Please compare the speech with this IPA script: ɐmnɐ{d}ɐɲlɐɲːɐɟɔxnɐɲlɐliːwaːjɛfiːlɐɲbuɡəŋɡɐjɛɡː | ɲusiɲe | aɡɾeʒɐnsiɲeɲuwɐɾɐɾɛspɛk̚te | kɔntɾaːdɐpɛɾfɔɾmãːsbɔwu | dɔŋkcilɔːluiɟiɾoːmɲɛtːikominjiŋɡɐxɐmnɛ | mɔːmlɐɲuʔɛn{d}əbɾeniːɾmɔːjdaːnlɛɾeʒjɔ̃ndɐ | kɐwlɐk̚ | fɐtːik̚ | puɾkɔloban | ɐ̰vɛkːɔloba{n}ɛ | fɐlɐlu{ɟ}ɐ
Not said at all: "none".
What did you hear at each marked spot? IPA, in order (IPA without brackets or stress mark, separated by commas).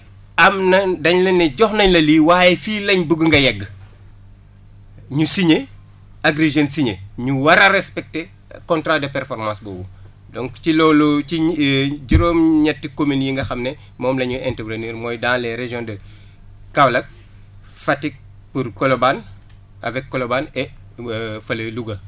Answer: d, t, n, ɡ